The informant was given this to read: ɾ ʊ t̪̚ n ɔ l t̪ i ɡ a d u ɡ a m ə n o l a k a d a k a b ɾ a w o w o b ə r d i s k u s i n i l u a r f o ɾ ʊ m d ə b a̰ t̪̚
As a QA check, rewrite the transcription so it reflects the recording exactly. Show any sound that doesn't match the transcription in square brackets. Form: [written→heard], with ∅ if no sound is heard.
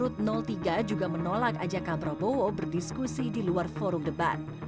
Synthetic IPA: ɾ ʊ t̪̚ n ɔ l t̪ i ɡ a [d→d͡ʒ] u ɡ a m ə n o l a k a [d→d͡ʒ] a k a b ɾ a [w→b] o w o b ə r d i s k u s i [n→d] i l u a r f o ɾ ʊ m d ə b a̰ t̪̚